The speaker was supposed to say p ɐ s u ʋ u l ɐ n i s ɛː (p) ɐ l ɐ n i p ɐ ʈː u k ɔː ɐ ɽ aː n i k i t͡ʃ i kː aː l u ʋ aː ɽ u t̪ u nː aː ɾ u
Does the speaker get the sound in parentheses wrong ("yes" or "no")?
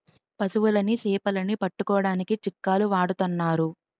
no